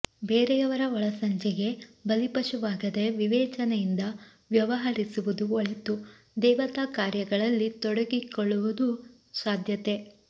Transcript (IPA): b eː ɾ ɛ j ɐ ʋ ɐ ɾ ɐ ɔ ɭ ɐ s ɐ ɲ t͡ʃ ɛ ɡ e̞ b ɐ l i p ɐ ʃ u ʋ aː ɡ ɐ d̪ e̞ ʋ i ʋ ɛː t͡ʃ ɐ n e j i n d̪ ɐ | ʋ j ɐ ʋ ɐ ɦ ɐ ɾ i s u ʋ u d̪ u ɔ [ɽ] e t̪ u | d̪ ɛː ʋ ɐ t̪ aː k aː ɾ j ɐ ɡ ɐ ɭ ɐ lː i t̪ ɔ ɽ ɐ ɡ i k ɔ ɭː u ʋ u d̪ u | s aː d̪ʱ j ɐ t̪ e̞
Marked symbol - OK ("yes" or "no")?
no